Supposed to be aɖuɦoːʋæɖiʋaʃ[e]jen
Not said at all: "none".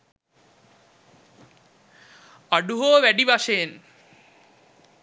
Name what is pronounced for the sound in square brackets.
e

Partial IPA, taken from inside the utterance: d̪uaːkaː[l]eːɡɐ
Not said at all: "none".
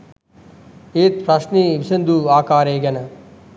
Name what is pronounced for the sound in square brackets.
ɾ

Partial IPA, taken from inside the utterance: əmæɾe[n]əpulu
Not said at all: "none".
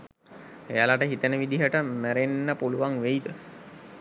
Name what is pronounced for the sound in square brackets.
nː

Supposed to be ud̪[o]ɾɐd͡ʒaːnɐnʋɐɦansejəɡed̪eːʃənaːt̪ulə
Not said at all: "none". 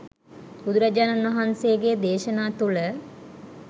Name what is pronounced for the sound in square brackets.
u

